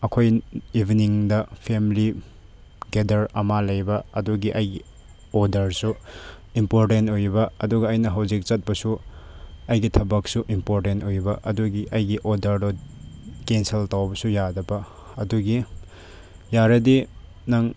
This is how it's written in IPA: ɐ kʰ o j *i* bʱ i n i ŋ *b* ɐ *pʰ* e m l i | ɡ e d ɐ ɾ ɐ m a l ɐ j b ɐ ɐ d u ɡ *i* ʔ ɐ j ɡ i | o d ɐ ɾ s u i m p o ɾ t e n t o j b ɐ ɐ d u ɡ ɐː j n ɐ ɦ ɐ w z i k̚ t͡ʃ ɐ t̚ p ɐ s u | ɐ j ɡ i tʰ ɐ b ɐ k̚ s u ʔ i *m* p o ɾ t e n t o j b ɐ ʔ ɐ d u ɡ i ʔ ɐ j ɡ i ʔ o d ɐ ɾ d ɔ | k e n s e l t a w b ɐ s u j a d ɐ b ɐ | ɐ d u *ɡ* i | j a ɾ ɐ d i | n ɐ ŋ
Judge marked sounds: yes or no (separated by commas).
yes, no, yes, yes, yes, yes